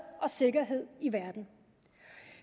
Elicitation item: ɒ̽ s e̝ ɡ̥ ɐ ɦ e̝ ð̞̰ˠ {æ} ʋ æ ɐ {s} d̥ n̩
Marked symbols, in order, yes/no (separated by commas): no, no